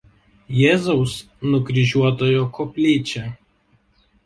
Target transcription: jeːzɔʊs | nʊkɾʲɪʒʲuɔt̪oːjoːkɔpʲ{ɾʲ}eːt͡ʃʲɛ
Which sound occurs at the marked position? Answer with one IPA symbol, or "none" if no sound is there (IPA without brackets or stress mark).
lʲ